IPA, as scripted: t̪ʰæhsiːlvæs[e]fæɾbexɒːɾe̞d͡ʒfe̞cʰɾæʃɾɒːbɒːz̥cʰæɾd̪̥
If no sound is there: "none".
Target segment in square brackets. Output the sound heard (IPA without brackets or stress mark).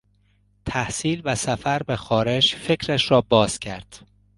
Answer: æ